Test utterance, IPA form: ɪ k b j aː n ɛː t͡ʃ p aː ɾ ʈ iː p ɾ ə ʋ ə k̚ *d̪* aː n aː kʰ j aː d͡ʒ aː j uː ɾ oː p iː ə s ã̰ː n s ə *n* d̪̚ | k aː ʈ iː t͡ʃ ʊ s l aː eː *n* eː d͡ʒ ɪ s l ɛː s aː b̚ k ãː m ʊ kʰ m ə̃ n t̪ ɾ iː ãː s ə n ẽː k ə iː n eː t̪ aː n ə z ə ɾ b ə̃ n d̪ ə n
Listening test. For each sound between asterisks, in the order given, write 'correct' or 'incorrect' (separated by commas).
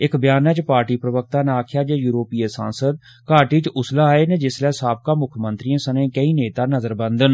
incorrect, incorrect, correct